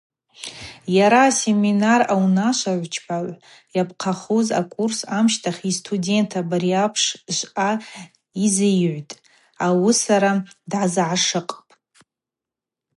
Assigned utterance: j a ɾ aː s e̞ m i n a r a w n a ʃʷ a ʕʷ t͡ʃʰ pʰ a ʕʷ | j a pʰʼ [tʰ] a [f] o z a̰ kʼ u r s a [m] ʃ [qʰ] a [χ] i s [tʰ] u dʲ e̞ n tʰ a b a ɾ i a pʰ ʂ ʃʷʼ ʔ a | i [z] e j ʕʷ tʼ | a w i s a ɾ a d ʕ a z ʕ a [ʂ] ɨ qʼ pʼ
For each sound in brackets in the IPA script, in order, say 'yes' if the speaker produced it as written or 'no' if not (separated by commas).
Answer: no, no, yes, no, yes, yes, yes, yes